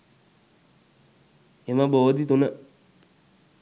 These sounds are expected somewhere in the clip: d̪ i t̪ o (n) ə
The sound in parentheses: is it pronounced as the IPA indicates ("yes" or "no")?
yes